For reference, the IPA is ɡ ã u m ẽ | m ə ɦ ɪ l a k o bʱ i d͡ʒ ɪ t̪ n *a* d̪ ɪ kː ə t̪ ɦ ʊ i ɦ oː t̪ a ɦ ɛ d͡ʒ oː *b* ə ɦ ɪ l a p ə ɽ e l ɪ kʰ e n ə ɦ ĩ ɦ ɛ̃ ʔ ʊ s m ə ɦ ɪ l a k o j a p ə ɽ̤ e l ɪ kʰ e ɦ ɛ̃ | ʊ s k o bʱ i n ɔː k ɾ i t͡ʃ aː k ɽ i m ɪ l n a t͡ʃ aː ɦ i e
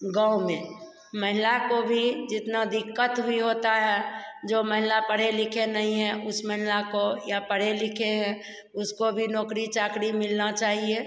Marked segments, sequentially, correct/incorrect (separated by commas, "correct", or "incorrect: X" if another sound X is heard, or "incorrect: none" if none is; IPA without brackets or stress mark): correct, incorrect: m